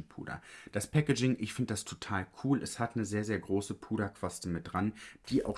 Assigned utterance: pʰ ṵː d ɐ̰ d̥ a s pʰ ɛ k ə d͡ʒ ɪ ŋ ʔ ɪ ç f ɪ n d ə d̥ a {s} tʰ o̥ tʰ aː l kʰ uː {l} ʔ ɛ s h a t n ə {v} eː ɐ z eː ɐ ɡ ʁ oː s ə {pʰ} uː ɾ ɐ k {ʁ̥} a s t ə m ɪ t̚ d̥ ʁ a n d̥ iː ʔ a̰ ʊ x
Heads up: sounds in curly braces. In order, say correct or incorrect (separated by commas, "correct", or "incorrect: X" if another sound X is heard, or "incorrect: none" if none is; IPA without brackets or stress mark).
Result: correct, correct, incorrect: z, correct, incorrect: v̥